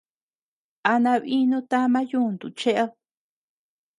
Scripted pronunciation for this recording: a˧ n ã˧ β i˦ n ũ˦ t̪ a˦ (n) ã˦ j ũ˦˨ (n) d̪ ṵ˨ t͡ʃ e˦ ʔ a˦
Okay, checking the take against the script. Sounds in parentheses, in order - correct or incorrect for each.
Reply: incorrect, correct

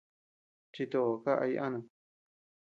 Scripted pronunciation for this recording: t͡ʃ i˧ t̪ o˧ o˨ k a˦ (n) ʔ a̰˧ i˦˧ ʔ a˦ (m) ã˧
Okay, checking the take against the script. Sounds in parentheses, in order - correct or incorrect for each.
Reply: incorrect, incorrect

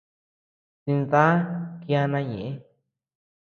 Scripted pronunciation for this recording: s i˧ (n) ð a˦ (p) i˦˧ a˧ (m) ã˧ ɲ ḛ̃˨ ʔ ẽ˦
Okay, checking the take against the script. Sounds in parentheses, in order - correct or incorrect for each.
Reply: correct, incorrect, incorrect

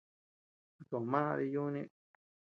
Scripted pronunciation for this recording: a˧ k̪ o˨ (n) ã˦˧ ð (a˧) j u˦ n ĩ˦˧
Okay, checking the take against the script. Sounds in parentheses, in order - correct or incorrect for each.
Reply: incorrect, incorrect

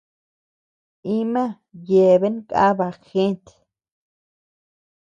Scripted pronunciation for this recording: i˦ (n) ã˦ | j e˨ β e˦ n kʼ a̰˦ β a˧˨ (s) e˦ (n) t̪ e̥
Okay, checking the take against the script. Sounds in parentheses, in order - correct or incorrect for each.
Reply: incorrect, incorrect, correct

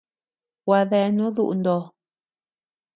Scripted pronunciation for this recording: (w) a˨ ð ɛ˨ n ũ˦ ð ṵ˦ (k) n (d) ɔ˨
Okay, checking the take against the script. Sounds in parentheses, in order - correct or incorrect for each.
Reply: correct, incorrect, correct

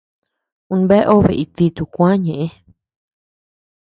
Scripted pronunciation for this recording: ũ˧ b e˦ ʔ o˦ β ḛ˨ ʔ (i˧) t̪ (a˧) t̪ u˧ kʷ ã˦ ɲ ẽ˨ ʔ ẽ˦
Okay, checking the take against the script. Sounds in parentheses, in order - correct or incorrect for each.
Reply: correct, incorrect

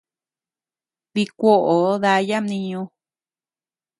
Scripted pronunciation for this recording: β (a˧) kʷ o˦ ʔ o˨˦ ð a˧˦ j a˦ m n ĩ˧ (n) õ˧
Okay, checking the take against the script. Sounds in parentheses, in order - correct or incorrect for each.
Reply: incorrect, incorrect

